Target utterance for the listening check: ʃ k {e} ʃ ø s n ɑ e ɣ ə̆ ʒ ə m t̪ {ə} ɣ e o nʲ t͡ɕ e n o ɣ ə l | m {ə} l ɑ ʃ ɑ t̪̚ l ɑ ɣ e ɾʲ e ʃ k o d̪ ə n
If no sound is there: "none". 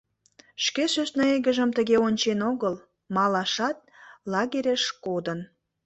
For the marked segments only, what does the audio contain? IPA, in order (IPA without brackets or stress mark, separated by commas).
e, ə, ɑ